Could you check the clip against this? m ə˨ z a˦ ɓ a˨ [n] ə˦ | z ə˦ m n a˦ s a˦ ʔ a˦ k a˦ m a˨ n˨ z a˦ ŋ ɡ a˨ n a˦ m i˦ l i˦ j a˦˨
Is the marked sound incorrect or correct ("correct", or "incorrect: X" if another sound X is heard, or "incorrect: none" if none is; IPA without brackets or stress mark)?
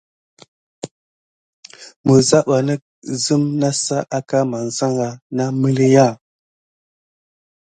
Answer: correct